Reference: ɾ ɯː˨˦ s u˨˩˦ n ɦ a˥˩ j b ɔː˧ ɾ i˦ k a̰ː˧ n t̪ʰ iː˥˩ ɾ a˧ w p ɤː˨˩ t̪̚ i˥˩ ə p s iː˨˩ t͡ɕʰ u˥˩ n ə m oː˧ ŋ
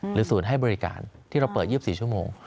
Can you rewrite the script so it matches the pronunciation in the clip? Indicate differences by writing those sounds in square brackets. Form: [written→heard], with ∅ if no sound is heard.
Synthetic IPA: ɾ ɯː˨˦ s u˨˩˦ n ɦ a˥˩ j b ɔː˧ ɾ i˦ k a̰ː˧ n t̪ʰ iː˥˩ ɾ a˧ w p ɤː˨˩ t̪̚ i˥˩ ə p s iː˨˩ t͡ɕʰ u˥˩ [n→∅] ə m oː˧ ŋ